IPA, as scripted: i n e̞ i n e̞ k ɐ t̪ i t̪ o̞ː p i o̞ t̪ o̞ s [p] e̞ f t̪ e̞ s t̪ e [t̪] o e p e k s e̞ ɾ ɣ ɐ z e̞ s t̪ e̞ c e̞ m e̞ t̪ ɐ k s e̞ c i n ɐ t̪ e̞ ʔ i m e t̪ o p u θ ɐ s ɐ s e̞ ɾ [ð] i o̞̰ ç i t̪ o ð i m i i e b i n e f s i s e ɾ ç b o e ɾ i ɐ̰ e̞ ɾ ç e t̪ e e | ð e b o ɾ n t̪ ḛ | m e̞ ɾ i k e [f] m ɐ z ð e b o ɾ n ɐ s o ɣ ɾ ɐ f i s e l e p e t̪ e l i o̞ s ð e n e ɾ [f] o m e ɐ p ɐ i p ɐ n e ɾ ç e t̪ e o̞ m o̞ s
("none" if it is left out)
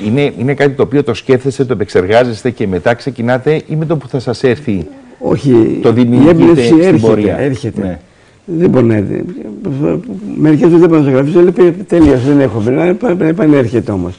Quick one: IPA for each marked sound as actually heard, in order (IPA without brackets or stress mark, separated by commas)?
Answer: c, t̪, θ, s, x